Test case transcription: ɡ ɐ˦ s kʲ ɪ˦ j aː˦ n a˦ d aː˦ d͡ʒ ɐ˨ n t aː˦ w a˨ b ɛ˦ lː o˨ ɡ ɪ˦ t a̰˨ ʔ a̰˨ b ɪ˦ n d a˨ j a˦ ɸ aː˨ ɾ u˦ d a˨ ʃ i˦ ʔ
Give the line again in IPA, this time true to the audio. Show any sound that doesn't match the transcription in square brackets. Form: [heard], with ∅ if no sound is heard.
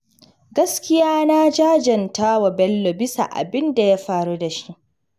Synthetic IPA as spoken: ɡ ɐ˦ s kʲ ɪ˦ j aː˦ n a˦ [d͡ʒ] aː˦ d͡ʒ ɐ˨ n t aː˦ w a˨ b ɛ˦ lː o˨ [b] ɪ˦ [s] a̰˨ ʔ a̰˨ b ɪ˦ n d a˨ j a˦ ɸ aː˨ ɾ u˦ d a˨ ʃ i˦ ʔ